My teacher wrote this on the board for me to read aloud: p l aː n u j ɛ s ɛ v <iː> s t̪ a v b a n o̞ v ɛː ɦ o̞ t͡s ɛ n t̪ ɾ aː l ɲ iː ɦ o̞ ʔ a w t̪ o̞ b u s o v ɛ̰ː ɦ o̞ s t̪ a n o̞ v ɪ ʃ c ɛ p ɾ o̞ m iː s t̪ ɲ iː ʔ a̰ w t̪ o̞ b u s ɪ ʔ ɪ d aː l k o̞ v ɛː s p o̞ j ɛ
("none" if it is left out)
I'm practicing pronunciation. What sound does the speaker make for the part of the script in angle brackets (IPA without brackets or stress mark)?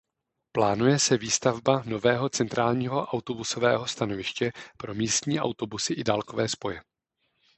iː